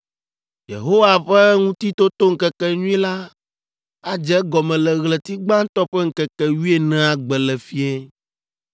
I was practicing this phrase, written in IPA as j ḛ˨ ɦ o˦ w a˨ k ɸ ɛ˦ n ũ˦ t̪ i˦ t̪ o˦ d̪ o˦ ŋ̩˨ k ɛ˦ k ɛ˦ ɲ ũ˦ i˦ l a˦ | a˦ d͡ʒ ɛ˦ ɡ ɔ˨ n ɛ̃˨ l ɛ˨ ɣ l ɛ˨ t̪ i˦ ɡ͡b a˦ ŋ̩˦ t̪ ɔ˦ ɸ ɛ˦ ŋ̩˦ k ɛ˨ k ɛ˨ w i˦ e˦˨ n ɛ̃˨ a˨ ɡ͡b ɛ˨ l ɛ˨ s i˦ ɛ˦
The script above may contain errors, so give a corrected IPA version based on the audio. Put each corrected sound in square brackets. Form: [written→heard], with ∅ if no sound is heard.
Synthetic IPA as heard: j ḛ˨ ɦ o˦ w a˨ [k→∅] ɸ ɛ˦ [n→ŋ] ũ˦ t̪ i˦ t̪ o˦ [d̪→t̪] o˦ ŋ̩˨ k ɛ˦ k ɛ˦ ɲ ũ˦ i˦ l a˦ | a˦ d͡ʒ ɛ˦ ɡ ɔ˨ [n→m] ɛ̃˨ l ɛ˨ ɣ l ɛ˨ t̪ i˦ ɡ͡b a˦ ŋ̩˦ t̪ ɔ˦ ɸ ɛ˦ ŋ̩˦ k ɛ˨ k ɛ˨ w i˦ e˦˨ n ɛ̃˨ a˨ ɡ͡b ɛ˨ l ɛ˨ [s→f] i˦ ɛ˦

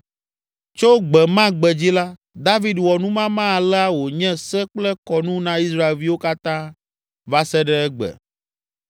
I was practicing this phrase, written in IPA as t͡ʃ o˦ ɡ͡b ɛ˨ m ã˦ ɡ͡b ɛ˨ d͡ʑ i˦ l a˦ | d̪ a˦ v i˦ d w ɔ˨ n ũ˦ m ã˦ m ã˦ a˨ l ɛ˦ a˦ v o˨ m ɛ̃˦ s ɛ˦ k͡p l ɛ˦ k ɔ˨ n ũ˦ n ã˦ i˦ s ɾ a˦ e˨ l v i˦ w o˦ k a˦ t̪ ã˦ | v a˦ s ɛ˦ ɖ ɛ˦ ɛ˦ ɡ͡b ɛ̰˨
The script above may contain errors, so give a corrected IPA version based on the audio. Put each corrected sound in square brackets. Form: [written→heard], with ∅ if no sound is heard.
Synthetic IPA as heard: t͡ʃ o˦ ɡ͡b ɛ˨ m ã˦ ɡ͡b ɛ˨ d͡ʑ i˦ l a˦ | d̪ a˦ v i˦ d w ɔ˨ n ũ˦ m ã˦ m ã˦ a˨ l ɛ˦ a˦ [v→w] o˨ [m→ɲ] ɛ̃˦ s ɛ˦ k͡p l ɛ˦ k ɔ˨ n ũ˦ n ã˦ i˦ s ɾ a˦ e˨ l v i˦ w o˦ k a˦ t̪ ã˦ | v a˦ s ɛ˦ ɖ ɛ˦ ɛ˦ ɡ͡b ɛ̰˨

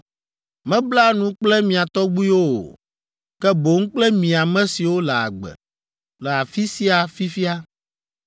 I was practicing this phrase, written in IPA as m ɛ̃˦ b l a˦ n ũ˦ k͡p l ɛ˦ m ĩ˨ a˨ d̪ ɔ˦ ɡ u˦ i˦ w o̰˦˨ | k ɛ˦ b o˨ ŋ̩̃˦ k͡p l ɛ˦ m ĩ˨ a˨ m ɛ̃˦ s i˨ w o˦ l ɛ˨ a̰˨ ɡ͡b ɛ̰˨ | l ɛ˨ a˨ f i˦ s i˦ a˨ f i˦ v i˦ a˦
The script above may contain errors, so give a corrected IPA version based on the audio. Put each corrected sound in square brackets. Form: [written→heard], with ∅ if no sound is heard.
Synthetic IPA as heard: m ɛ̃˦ b l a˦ n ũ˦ k͡p l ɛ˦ m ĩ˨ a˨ [d̪→t̪] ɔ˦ [ɡ→ɡ͡b] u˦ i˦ w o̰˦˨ | k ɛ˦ b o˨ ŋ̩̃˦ k͡p l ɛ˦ m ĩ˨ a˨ m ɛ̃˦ s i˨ w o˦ l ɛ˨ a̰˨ ɡ͡b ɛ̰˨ | l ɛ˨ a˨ f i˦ s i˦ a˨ f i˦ [v→f] i˦ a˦

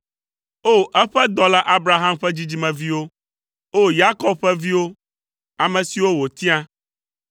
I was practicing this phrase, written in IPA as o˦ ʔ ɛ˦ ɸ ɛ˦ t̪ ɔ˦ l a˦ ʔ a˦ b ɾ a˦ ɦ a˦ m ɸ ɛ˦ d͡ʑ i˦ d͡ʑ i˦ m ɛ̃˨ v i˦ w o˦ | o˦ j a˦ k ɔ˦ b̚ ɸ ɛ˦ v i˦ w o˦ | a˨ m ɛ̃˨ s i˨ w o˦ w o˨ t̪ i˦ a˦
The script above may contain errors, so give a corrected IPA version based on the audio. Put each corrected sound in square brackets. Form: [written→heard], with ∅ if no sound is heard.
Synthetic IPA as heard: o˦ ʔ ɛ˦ ɸ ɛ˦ [t̪→d̪] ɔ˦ l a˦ ʔ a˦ b ɾ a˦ ɦ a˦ m ɸ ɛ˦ d͡ʑ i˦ d͡ʑ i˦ m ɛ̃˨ v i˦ w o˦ | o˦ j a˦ k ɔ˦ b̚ ɸ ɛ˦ v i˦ w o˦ | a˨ m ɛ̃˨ s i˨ w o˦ w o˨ t̪ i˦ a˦

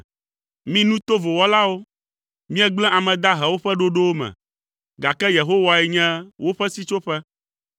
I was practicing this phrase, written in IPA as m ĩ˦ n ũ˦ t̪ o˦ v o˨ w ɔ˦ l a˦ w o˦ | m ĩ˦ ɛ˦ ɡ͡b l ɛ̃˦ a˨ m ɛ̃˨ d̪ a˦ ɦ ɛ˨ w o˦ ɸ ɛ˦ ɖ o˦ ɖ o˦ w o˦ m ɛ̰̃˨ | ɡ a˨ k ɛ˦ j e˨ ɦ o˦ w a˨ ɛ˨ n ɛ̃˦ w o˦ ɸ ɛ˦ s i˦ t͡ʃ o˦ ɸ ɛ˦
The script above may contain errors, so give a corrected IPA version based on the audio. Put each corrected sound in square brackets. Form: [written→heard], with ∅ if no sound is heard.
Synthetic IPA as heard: m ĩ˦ n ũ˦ t̪ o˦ v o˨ w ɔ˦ l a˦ w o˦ | m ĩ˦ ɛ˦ ɡ͡b l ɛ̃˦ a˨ m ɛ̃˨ d̪ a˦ ɦ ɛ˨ w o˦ ɸ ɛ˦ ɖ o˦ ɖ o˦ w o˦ m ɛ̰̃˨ | ɡ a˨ k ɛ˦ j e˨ ɦ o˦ w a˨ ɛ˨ [n→ɲ] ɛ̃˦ w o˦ ɸ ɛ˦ s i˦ t͡ʃ o˦ ɸ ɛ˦

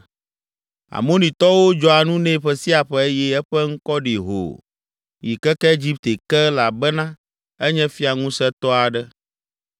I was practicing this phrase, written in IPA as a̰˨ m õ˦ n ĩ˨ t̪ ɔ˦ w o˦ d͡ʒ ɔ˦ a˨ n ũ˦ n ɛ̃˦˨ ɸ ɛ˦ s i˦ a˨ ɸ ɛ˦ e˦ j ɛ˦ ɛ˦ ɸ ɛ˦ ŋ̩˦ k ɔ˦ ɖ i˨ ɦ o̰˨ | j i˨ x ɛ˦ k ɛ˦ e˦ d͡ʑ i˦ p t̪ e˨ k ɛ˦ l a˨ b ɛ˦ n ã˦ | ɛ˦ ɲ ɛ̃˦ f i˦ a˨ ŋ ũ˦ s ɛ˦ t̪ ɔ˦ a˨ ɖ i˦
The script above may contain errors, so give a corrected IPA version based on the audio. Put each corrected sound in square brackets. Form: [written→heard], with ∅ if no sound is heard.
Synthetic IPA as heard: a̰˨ m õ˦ n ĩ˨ t̪ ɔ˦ w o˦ d͡ʒ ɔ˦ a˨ n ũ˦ n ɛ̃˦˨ ɸ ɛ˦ s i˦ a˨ ɸ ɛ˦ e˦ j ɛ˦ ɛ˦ ɸ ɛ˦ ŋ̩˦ k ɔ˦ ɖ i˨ ɦ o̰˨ | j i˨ [x→k] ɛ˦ k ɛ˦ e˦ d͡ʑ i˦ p t̪ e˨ k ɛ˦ l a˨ b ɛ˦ n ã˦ | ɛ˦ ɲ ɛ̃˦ f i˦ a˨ ŋ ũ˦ s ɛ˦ t̪ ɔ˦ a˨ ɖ [i˦→ɛ˦]

